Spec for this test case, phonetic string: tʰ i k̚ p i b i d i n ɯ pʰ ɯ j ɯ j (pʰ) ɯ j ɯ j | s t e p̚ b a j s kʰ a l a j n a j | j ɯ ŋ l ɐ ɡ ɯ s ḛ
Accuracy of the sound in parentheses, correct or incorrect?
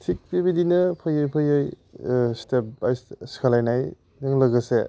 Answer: correct